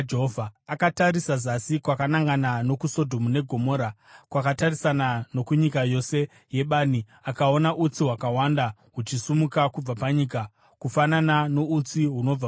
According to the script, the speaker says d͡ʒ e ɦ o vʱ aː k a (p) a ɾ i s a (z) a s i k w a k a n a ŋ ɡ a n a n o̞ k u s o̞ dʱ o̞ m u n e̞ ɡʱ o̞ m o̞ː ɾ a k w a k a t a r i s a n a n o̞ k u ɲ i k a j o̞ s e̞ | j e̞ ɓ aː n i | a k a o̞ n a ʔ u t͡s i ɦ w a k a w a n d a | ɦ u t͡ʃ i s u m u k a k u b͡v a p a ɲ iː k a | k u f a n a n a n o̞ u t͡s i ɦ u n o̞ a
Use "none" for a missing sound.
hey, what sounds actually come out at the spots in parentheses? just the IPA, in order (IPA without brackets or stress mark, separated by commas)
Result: t, z